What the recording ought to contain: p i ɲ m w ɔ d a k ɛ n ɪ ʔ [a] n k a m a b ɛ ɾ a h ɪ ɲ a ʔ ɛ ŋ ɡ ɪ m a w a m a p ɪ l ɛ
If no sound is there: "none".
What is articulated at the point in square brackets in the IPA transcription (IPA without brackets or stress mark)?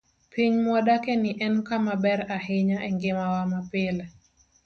ɛ